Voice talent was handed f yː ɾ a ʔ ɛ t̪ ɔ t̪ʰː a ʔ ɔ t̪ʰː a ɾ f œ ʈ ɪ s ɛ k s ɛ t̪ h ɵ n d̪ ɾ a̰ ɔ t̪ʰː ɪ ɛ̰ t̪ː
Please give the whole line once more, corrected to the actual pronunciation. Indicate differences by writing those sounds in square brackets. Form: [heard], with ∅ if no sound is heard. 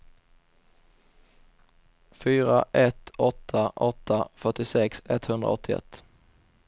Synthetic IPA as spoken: f yː ɾ a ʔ ɛ t̪ ɔ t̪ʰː a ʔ ɔ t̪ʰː a [∅] f œ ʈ ɪ s ɛ k s ɛ t̪ h ɵ n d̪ ɾ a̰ ɔ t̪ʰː ɪ ɛ̰ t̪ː

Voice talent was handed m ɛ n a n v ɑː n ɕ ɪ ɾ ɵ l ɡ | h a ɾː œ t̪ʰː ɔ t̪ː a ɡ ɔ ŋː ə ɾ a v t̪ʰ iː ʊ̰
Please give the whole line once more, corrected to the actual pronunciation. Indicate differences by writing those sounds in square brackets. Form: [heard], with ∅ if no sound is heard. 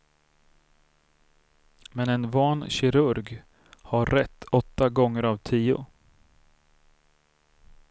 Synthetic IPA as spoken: m ɛ n [ɛ] n v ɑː n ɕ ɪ ɾ ɵ [ɾ] ɡ | h a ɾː [ɛ] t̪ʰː ɔ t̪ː a ɡ ɔ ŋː ə ɾ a v t̪ʰ iː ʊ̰

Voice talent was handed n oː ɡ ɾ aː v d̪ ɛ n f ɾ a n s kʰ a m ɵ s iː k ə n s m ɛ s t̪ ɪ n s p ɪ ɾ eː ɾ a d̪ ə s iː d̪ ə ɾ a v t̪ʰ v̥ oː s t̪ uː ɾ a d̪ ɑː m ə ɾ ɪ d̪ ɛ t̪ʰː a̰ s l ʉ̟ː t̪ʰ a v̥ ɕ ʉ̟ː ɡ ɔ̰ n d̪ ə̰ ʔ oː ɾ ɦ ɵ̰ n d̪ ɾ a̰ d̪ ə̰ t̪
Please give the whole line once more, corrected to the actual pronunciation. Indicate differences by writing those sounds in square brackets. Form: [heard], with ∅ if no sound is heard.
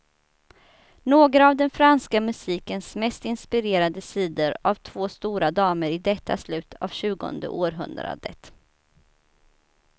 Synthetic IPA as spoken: n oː ɡ ɾ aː v d̪ ɛ n f ɾ a n s [k] a m ɵ s iː k ə n s m ɛ s t̪ ɪ n s p ɪ ɾ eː ɾ a d̪ ə s iː d̪ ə ɾ a v t̪ʰ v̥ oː s t̪ uː ɾ a d̪ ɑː m ə ɾ ɪ d̪ ɛ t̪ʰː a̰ s l ʉ̟ː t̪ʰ a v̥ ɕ ʉ̟ː ɡ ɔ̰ n d̪ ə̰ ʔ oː ɾ ɦ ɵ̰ n d̪ ɾ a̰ d̪ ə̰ t̪

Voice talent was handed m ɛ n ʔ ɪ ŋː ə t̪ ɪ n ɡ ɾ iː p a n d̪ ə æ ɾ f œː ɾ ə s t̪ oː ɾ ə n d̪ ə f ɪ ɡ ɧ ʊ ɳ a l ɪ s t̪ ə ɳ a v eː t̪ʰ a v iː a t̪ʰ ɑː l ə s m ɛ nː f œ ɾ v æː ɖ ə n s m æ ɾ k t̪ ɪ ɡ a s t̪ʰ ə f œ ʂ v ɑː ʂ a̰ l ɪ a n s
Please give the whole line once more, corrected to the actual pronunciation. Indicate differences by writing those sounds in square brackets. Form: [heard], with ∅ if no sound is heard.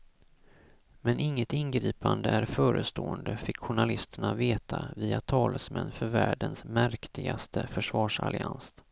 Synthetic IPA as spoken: m ɛ n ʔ ɪ ŋː ə t̪ ɪ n ɡ ɾ iː p a n d̪ ə æ ɾ f œː ɾ ə s t̪ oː [∅] ə n d̪ ə f ɪ [k] ɧ ʊ ɳ a l ɪ s t̪ ə ɳ a v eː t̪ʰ a v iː a t̪ʰ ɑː l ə s m ɛ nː f œ ɾ v æː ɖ ə n s m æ ɾ k t̪ ɪ ɡ a s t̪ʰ ə f œ ʂ v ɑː ʂ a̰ l ɪ a n s

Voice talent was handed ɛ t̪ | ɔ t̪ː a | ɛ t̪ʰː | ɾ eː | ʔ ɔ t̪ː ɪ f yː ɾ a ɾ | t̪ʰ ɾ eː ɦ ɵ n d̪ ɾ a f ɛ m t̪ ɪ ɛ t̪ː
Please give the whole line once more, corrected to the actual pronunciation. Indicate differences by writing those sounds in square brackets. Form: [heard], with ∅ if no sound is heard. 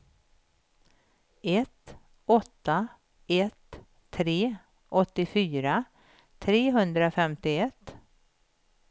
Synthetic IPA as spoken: ɛ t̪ | ɔ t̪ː a | ɛ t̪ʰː | ɾ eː | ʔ ɔ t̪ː ɪ f yː ɾ a [∅] | t̪ʰ ɾ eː ɦ ɵ n d̪ ɾ a f ɛ m t̪ ɪ ɛ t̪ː

